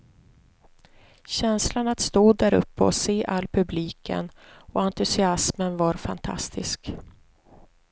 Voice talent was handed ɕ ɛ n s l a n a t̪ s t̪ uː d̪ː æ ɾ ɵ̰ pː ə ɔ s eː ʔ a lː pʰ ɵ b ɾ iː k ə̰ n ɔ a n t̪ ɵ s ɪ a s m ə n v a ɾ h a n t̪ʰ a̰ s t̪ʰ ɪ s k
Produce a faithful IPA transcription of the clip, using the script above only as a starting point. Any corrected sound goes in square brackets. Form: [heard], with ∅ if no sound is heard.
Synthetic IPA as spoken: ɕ ɛ n s l a n a t̪ s t̪ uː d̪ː æ ɾ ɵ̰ pː ə ɔ s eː ʔ a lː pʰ ɵ b [l] iː k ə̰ n ɔ a n t̪ ɵ s ɪ a s m ə n v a ɾ [f] a n t̪ʰ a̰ s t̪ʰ ɪ s k